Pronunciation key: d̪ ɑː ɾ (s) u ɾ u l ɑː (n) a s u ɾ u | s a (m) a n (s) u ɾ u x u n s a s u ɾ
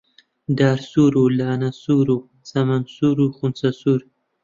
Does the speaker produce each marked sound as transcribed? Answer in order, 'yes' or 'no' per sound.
yes, yes, yes, yes

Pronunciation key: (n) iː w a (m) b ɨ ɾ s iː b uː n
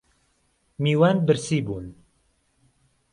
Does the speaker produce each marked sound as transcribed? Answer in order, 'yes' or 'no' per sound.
no, no

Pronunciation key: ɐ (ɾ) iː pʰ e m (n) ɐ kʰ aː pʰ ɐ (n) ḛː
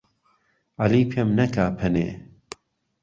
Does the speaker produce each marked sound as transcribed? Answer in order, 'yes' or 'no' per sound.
no, yes, yes

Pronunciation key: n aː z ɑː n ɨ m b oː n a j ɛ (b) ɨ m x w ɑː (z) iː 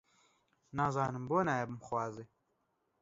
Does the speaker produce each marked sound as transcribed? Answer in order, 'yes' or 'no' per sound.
yes, yes

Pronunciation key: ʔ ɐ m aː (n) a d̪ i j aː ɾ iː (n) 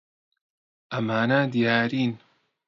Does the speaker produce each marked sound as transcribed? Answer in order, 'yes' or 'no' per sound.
yes, yes

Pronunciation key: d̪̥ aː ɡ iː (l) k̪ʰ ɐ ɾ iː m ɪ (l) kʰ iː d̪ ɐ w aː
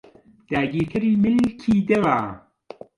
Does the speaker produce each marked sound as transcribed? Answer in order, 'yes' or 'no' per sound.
no, yes

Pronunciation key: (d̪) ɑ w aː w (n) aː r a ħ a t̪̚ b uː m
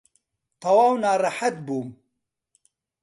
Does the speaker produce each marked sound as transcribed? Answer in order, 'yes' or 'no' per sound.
no, yes

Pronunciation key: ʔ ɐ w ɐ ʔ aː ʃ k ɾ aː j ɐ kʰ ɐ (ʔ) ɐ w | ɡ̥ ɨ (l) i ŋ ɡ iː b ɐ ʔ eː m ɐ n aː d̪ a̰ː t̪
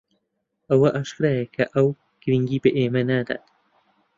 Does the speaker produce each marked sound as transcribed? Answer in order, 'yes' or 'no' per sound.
yes, no

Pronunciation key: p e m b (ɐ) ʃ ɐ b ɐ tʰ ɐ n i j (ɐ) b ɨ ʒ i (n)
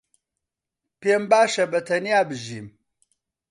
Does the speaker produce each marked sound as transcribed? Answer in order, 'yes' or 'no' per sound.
no, no, no

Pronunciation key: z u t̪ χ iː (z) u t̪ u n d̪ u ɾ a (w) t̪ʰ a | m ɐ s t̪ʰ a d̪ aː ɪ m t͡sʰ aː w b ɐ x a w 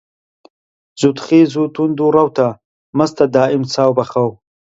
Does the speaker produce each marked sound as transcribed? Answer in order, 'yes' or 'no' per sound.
yes, yes

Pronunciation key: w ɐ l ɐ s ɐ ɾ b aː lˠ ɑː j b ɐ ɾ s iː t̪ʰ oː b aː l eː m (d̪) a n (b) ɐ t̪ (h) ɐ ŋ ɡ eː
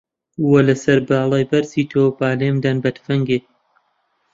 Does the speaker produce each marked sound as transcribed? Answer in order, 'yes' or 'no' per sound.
yes, yes, no

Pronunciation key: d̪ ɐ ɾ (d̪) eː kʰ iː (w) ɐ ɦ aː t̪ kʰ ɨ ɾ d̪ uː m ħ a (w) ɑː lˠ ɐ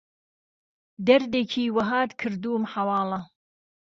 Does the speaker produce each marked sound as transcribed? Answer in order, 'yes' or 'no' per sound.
yes, yes, yes

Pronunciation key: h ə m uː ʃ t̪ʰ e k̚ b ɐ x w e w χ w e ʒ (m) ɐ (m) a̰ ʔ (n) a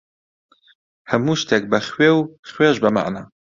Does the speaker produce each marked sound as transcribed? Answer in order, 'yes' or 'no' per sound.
no, yes, yes

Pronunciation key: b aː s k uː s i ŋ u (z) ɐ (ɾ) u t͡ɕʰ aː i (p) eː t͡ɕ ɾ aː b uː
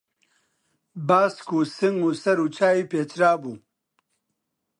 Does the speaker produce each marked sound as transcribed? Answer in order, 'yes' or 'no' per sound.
no, yes, yes

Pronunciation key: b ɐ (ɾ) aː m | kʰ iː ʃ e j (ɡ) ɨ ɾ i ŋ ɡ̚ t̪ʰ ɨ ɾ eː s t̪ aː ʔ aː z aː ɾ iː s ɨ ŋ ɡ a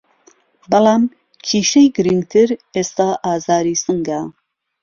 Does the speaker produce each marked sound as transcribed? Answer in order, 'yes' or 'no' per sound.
no, yes

